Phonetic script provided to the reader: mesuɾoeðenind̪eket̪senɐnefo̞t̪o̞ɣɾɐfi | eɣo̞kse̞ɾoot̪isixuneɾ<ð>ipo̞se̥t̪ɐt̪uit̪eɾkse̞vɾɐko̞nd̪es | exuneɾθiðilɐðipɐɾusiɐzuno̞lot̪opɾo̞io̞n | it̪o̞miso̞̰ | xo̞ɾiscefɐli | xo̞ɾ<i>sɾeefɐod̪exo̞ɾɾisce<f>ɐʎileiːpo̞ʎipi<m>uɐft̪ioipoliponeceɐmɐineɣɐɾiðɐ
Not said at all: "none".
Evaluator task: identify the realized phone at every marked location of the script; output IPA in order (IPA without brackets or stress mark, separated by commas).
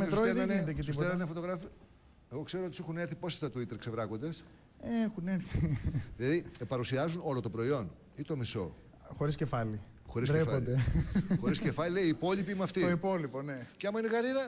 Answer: θ, i, f, m